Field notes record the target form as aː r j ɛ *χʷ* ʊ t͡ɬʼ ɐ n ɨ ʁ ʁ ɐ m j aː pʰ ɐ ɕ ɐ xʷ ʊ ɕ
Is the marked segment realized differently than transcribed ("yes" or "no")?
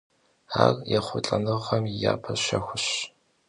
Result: no